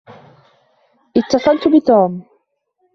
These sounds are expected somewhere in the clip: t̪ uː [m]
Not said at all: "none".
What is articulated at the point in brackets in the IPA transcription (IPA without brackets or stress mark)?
m